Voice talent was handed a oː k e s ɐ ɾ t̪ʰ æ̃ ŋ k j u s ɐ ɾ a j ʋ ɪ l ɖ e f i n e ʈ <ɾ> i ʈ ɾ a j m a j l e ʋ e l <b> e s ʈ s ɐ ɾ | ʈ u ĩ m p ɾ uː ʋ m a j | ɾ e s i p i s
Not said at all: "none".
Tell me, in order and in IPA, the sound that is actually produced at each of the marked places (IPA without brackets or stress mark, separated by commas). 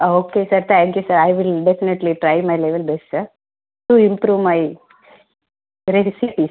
l, b